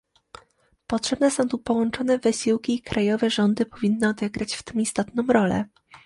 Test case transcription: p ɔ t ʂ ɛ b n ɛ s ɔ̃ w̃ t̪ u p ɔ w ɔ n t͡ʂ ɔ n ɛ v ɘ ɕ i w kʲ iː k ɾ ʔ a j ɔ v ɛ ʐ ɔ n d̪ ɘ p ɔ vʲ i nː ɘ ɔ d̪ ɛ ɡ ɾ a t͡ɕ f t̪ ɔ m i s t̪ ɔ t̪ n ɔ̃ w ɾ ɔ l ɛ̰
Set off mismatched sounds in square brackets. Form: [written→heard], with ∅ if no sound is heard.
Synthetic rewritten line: p ɔ t ʂ ɛ b n ɛ s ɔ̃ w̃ t̪ u p ɔ w ɔ n t͡ʂ ɔ n ɛ v ɘ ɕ i w kʲ iː k ɾ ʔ a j ɔ v ɛ ʐ ɔ n d̪ ɘ p ɔ vʲ i nː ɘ ɔ d̪ ɛ ɡ ɾ a t͡ɕ f t̪ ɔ m i s t̪ ɔ t̪ n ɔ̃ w ɾ ɔ l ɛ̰